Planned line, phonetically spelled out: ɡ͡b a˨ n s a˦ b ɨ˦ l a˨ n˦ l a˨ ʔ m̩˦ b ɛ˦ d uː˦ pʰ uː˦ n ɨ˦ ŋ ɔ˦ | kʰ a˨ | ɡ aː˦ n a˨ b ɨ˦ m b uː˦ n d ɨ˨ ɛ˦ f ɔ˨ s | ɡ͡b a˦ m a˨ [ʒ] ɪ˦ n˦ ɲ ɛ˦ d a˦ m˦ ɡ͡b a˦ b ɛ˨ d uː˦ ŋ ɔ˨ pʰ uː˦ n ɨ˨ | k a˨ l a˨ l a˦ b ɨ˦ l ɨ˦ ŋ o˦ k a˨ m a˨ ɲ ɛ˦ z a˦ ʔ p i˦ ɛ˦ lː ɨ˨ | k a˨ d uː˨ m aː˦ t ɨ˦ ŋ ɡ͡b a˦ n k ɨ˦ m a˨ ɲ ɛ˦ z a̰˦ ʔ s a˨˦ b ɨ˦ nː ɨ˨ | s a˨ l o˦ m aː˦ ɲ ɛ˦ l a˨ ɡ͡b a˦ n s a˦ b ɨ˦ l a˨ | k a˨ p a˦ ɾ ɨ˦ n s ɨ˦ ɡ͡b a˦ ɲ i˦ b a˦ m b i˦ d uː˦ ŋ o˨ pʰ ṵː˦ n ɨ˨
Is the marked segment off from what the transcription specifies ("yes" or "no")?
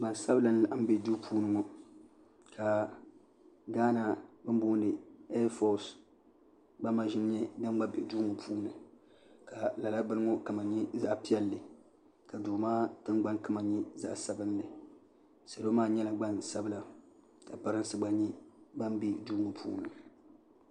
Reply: no